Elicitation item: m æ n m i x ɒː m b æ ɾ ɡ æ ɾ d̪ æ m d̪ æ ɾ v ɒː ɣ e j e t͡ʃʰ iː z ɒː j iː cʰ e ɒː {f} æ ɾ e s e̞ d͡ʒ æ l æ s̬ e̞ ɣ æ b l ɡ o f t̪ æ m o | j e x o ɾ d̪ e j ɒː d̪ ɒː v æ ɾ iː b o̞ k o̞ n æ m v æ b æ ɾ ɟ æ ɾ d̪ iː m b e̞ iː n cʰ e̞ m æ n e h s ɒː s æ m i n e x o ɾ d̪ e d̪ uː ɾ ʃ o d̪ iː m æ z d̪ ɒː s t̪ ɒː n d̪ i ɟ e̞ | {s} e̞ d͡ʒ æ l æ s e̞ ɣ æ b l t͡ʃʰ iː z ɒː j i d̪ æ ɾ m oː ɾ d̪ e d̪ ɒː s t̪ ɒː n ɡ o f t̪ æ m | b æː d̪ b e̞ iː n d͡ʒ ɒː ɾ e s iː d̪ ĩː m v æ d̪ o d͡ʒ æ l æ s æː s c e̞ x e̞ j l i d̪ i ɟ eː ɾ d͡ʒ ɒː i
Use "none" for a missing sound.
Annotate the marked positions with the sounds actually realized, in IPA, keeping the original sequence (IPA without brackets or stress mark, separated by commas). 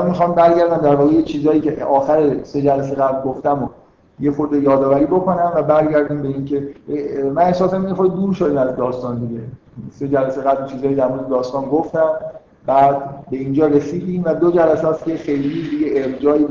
x, s